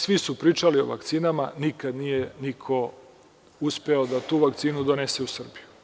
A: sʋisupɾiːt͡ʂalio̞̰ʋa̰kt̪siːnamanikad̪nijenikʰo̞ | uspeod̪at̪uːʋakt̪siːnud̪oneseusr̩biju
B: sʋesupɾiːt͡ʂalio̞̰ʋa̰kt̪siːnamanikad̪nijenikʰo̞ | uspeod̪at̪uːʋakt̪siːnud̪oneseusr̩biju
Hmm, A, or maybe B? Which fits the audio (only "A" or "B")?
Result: A